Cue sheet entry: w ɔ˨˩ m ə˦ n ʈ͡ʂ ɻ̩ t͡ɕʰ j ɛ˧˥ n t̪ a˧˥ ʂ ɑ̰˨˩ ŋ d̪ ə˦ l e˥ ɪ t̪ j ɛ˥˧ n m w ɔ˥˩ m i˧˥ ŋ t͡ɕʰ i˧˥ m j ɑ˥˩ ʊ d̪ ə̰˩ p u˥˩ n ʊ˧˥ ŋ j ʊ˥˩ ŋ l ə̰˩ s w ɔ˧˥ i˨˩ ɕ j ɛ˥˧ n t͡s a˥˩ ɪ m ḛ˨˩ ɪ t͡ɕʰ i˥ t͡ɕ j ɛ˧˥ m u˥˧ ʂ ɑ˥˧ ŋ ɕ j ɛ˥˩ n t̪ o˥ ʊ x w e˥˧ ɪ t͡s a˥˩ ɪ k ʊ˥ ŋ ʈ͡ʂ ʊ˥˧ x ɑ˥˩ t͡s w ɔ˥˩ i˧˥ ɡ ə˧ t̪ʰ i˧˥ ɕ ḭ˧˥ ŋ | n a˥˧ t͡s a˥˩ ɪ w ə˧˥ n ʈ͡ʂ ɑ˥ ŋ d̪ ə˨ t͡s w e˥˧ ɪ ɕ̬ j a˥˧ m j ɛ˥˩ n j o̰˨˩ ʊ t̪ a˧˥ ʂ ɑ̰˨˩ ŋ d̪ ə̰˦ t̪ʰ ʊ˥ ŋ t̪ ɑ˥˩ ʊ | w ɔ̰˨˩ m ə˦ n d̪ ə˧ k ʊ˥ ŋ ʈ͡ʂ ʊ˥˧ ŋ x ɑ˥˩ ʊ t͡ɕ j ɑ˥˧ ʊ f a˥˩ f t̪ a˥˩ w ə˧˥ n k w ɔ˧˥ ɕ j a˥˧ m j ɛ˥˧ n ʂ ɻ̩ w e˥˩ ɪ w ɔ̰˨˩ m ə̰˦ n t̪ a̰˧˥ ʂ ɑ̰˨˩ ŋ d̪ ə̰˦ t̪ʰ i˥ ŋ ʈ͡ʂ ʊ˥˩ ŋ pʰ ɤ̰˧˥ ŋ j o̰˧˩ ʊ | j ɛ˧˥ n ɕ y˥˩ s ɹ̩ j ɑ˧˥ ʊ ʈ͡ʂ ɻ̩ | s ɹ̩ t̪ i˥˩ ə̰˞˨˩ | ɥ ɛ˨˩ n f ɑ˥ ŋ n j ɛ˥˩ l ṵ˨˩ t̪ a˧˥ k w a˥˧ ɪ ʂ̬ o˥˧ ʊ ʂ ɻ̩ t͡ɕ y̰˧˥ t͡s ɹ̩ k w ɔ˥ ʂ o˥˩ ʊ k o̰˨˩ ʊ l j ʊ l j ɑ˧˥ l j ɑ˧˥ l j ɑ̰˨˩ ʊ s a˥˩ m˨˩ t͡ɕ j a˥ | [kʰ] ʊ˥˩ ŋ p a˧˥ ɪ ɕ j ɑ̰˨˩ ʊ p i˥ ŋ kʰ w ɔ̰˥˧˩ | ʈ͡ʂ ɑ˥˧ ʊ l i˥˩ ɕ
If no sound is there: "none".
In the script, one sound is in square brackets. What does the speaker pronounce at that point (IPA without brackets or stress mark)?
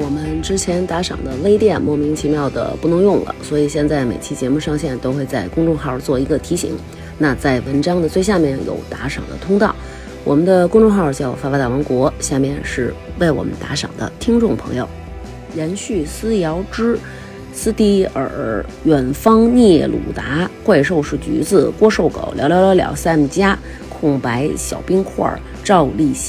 kʰ